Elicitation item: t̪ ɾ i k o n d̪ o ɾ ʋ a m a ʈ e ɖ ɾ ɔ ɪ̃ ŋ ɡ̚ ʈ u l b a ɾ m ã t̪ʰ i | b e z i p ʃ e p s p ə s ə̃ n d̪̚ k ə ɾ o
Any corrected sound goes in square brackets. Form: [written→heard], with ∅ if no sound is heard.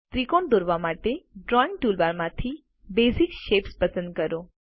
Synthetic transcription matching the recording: t̪ ɾ i k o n d̪ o ɾ ʋ a m a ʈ e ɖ ɾ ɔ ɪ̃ ŋ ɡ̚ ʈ u l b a ɾ m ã t̪ʰ i | b e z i [p→k] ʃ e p s p ə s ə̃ n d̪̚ k ə ɾ o